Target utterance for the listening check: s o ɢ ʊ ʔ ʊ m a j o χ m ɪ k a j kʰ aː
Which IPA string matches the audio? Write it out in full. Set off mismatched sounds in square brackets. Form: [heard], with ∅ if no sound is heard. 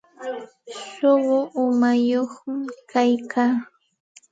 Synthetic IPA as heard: [ʃ] o ɢ ʊ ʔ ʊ m a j o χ m ɪ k a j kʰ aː